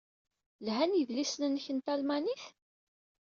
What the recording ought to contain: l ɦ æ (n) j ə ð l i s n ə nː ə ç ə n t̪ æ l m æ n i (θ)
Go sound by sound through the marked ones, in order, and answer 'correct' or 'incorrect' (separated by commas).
correct, correct